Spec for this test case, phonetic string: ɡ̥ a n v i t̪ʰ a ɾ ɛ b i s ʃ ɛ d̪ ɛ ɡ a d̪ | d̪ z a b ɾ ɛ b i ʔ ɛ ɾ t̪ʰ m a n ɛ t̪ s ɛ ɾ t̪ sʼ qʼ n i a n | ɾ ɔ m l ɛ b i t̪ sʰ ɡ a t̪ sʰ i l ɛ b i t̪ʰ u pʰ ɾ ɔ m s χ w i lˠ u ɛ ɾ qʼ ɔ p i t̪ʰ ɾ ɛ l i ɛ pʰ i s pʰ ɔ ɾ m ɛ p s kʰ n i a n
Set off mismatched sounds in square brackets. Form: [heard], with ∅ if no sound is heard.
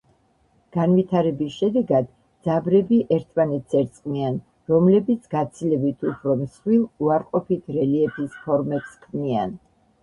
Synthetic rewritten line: ɡ̥ a n v i t̪ʰ a ɾ ɛ b i s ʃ ɛ d̪ ɛ ɡ a d̪ | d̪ z a b ɾ ɛ b i ʔ ɛ ɾ t̪ʰ m a n ɛ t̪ s ɛ ɾ t̪ sʼ qʼ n i a n | ɾ ɔ m l ɛ b i t̪ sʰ ɡ a t̪ sʰ i l ɛ b i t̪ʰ u pʰ ɾ ɔ m s χ w i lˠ u [a] ɾ qʼ ɔ p i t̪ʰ ɾ ɛ l i ɛ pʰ i s pʰ ɔ ɾ m ɛ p s kʰ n i a n

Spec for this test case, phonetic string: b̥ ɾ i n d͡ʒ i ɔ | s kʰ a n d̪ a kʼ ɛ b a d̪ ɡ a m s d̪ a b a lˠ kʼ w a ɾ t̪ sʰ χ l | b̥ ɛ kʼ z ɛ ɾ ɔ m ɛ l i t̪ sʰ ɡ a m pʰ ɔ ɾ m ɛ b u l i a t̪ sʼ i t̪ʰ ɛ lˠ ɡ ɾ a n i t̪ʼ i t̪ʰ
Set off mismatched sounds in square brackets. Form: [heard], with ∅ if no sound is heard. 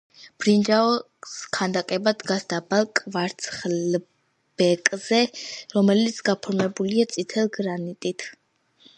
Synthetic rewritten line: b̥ ɾ i n d͡ʒ [a] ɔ | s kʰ a n d̪ a kʼ ɛ b a d̪ ɡ a [∅] s d̪ a b a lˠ kʼ [v] a ɾ t̪ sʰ χ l | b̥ ɛ kʼ z ɛ ɾ ɔ m ɛ l i t̪ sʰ ɡ a [∅] pʰ ɔ ɾ m ɛ b u l i a t̪ sʼ i t̪ʰ ɛ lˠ ɡ ɾ a n i t̪ʼ i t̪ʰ

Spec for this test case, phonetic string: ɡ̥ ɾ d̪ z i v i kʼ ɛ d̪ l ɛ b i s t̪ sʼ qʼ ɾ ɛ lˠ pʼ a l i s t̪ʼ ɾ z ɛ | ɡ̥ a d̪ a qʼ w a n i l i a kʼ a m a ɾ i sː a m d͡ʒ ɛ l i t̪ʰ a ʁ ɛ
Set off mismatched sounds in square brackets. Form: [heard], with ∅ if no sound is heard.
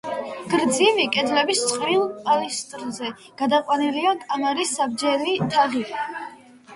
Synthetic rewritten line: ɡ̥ ɾ d̪ z i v i kʼ ɛ d̪ l ɛ b i s t̪ sʼ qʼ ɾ [i] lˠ pʼ a l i s t̪ʼ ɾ z ɛ | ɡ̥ a d̪ a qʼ w a n i l i a kʼ a m a ɾ i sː a [b] d͡ʒ ɛ l i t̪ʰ a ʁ [i]

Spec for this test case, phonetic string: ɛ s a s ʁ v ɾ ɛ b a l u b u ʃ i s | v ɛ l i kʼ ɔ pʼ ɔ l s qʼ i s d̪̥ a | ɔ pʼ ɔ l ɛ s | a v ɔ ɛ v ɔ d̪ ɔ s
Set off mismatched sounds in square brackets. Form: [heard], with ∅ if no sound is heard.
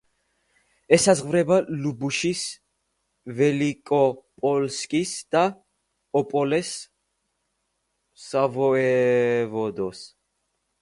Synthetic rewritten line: ɛ s a [z] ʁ v ɾ ɛ b a l u b u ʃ i s | v ɛ l i kʼ ɔ pʼ ɔ l s [kʼ] i s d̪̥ a | ɔ pʼ ɔ l ɛ s | a v ɔ ɛ v ɔ d̪ ɔ s

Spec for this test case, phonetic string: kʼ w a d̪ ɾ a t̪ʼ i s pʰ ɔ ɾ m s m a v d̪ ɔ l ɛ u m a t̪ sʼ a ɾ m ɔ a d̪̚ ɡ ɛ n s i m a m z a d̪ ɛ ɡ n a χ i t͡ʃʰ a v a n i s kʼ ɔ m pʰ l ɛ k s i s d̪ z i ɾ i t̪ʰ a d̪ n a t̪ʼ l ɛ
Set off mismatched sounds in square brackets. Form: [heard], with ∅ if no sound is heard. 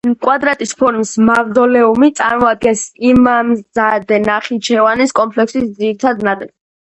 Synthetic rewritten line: kʼ w a d̪ ɾ a t̪ʼ i s pʰ ɔ ɾ m s m a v d̪ ɔ l ɛ u m [i] t̪ sʼ a ɾ m ɔ a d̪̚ ɡ ɛ n s i m a m z a d̪ ɛ [∅] n a χ i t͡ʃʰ [ɛ] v a n i s kʼ ɔ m pʰ l ɛ k s i s d̪ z i ɾ i t̪ʰ a d̪ n a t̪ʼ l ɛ

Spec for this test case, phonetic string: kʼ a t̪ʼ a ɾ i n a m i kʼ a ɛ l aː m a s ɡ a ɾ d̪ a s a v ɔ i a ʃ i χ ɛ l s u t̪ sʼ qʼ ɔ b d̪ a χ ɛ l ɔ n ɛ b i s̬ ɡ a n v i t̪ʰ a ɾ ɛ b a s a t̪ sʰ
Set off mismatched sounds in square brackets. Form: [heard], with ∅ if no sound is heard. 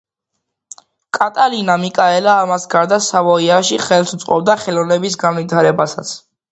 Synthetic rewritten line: kʼ a t̪ʼ a [l] i n a m i kʼ a ɛ l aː m a s ɡ a ɾ d̪ a s a v ɔ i a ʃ i χ ɛ l s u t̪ sʼ qʼ ɔ b d̪ a χ ɛ l ɔ n ɛ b i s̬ ɡ a n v i t̪ʰ a ɾ ɛ b a s a t̪ sʰ

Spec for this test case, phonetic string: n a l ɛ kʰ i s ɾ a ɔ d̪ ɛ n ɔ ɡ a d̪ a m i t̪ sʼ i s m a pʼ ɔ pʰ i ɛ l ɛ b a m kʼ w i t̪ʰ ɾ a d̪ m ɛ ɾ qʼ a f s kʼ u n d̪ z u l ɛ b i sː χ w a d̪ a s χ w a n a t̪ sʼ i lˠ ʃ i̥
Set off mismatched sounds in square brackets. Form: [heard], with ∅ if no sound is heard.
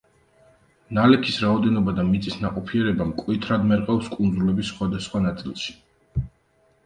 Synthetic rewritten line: n a l ɛ kʰ i s ɾ a ɔ d̪ ɛ n ɔ [b] a d̪ a m i t̪ sʼ i s [n] a [qʼ] ɔ pʰ i ɛ [ɾ] ɛ b a m kʼ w i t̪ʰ ɾ a d̪ m ɛ ɾ qʼ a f s kʼ u n d̪ z u l ɛ b i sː χ w a d̪ a s χ w a n a t̪ sʼ i lˠ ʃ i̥

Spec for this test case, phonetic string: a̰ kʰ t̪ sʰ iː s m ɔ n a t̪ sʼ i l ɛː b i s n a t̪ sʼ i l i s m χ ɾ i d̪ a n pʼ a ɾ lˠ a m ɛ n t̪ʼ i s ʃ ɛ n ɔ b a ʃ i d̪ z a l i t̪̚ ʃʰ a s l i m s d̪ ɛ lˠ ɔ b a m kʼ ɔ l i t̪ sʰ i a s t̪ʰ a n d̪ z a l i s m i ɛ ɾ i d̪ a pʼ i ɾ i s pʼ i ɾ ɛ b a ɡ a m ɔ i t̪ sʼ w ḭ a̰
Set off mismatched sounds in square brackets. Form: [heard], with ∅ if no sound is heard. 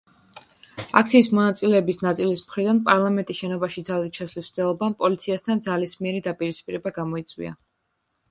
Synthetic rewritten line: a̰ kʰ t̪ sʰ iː s m ɔ n a t̪ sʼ i l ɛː b i s n a t̪ sʼ i l i s m χ ɾ i d̪ a n pʼ a ɾ lˠ a m ɛ n t̪ʼ i s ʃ ɛ n ɔ b a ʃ i d̪ z a l i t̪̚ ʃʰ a s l i [∅] s d̪ ɛ lˠ ɔ b a m [pʼ] ɔ l i t̪ sʰ i a s t̪ʰ a n d̪ z a l i s m i ɛ ɾ i d̪ a pʼ i ɾ i s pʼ i ɾ ɛ b a ɡ a m ɔ i t̪ sʼ w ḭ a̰

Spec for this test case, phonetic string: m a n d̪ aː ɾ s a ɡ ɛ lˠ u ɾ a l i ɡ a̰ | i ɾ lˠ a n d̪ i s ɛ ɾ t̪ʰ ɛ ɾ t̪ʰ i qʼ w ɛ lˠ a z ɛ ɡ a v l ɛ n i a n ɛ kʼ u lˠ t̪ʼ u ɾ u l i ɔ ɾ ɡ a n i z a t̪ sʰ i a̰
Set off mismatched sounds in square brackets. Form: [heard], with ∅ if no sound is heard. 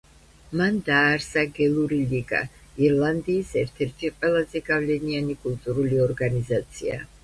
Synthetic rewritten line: m a n d̪ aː ɾ s a ɡ ɛ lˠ u ɾ [i] l i ɡ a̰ | i ɾ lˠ a n d̪ [iː] s ɛ ɾ t̪ʰ ɛ ɾ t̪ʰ i qʼ w ɛ lˠ a z ɛ ɡ a v l ɛ n i a n [i] kʼ u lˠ t̪ʼ u ɾ u l i ɔ ɾ ɡ a n i z a t̪ sʰ i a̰

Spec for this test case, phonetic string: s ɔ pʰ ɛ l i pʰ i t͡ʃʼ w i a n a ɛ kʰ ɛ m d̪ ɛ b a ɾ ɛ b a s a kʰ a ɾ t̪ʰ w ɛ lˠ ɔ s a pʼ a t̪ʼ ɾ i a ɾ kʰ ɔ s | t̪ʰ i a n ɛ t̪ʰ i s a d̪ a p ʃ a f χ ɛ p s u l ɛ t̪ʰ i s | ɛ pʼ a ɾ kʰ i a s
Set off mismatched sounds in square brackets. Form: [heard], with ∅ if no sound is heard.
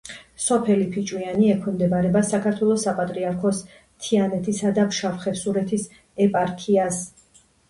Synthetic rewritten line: s ɔ pʰ ɛ l i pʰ i t͡ʃʼ w i a n [i] ɛ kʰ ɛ m d̪ ɛ b a ɾ ɛ b a s a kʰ a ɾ t̪ʰ w ɛ lˠ ɔ s a pʼ a t̪ʼ ɾ i a ɾ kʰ ɔ s | t̪ʰ i a n ɛ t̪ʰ i s a d̪ a p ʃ a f χ ɛ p s u [ɾ] ɛ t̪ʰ i s | ɛ pʼ a ɾ kʰ i a s

